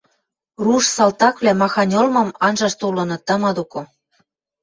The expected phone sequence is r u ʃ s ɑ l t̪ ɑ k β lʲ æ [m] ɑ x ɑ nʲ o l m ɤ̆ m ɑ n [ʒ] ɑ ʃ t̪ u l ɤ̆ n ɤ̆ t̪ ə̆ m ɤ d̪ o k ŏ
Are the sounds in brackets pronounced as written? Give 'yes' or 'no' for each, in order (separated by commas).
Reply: yes, yes